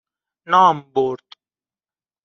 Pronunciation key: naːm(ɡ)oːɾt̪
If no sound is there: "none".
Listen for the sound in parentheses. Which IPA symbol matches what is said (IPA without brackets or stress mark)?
b